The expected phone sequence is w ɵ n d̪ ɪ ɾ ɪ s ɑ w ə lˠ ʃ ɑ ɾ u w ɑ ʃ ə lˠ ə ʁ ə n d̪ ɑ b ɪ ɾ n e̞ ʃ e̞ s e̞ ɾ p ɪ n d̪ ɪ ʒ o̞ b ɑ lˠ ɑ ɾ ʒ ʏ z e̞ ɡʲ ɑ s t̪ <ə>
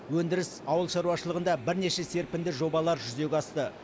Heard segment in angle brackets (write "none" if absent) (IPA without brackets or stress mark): ə